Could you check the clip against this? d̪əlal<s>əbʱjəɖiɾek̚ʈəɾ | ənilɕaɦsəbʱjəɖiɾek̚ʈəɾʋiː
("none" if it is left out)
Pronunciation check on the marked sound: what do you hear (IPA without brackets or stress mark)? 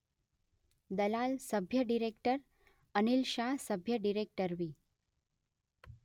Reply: s